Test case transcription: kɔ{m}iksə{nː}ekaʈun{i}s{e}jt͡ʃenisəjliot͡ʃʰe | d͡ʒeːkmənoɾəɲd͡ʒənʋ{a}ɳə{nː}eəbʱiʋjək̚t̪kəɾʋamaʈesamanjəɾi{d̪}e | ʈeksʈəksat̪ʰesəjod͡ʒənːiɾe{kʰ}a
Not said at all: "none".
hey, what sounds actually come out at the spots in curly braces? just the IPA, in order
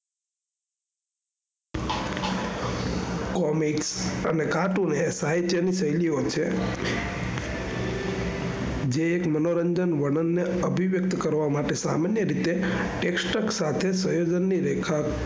m, n, e, a, ə, nː, t̪, kʰ

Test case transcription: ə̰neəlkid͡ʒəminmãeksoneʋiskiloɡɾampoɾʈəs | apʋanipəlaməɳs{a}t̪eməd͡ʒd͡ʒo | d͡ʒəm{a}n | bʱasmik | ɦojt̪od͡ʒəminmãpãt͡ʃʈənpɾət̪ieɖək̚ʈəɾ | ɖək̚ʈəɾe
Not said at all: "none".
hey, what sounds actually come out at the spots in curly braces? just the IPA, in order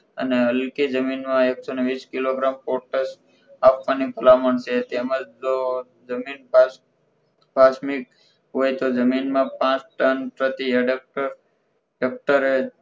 e, i

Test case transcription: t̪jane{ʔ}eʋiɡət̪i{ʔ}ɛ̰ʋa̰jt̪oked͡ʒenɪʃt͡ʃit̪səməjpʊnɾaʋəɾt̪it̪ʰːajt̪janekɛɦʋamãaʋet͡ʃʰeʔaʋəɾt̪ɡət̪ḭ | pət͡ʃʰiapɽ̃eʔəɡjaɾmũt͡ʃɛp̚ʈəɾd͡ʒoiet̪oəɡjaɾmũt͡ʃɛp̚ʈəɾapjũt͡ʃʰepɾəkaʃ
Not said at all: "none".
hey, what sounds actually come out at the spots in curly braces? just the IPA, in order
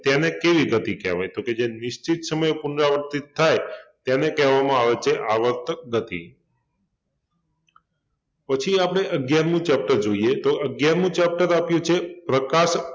k, k

